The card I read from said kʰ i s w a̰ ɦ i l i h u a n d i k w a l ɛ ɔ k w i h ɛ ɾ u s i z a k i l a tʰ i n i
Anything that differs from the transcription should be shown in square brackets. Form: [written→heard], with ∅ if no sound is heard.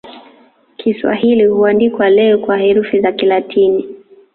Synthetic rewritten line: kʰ i s w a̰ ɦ i l i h u a n d i k w a l ɛ ɔ k w [i→a] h ɛ ɾ u [s→f] i z a k i l a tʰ i n i